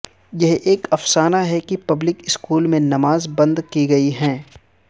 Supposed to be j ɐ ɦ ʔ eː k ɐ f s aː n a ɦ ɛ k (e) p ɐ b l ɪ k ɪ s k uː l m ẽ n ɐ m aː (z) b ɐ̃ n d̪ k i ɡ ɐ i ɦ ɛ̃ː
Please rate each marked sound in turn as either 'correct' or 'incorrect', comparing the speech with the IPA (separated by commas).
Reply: incorrect, correct